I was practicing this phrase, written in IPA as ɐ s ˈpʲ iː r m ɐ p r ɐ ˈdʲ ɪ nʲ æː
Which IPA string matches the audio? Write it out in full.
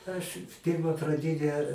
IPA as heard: ɐ ʃ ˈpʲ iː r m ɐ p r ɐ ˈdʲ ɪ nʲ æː